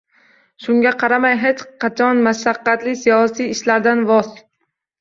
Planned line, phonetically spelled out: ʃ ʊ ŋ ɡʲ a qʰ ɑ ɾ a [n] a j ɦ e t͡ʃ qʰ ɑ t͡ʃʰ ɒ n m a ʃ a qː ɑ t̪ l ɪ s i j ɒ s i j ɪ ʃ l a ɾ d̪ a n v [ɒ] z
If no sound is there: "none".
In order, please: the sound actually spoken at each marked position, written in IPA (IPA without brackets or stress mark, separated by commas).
m, ɒ